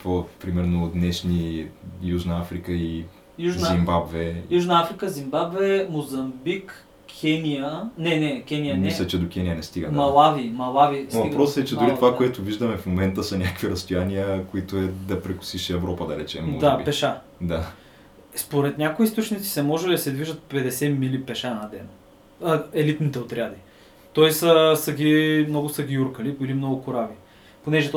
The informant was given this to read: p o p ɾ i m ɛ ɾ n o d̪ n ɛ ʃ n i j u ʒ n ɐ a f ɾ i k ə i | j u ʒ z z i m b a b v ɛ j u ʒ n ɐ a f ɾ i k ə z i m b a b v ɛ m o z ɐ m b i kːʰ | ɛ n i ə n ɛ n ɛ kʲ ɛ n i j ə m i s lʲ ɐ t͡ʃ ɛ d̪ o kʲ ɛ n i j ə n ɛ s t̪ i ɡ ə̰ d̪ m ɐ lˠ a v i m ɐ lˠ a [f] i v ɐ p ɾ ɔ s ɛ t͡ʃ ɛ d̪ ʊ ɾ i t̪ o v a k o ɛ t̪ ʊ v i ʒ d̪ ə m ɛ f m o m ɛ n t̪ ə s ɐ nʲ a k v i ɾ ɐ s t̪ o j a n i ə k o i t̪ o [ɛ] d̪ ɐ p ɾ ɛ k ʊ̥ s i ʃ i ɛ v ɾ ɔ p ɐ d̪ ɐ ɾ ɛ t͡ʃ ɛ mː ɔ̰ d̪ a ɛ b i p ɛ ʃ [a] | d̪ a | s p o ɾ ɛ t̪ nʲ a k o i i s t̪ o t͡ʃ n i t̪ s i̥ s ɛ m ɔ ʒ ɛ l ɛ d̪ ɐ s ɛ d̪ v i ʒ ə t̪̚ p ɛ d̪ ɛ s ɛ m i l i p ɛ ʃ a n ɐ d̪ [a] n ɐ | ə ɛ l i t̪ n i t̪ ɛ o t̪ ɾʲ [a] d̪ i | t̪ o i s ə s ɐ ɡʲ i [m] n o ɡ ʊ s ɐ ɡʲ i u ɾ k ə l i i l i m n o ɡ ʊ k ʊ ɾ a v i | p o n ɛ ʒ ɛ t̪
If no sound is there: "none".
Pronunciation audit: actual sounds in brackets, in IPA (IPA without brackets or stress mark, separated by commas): v, ɛ, a, ɛ, a, m